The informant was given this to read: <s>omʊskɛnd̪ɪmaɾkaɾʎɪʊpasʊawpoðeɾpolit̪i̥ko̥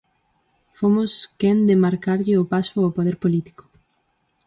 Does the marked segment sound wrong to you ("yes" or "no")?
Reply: yes